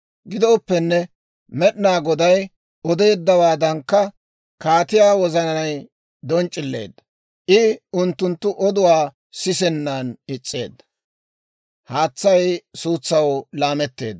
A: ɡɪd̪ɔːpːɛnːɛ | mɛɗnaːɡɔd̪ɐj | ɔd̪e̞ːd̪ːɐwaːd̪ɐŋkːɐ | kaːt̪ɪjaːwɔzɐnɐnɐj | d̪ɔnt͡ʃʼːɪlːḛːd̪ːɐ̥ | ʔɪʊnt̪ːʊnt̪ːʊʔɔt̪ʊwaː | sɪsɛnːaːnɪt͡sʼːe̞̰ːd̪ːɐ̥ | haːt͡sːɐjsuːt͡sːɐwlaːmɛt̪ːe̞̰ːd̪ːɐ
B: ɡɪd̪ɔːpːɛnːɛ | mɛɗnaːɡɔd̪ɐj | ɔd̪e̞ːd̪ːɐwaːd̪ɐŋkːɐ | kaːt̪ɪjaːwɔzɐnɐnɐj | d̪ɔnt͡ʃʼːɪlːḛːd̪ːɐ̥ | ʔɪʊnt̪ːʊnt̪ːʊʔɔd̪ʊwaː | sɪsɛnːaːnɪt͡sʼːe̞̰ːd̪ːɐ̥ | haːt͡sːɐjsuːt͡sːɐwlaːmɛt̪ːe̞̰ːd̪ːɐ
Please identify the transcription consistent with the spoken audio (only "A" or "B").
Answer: B